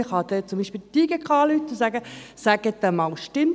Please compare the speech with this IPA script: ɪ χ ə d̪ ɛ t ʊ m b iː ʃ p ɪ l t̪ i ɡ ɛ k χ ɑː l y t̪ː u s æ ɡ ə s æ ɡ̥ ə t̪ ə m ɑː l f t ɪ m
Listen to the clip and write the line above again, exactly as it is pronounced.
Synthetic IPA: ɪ χ ɑ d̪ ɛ t͡s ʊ m b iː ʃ p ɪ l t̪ i ɡ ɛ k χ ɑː l y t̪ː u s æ ɡ ə s æ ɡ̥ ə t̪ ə m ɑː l ʃ t ɪ m